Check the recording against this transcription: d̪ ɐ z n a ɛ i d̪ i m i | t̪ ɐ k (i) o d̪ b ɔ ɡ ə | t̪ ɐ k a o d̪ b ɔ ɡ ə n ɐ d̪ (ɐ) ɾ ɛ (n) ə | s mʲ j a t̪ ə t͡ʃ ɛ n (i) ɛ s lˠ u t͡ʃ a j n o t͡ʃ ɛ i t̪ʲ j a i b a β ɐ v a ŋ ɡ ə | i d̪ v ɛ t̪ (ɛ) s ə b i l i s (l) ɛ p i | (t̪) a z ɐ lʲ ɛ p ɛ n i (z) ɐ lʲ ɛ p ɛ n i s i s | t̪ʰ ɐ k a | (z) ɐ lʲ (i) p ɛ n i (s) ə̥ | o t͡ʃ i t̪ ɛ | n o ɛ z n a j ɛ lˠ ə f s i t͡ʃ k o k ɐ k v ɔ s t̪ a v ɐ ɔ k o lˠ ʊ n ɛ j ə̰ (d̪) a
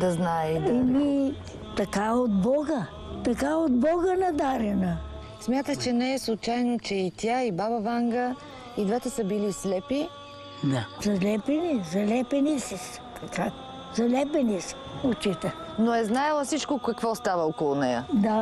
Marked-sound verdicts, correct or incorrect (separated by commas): incorrect, incorrect, correct, incorrect, correct, correct, incorrect, correct, correct, incorrect, correct, correct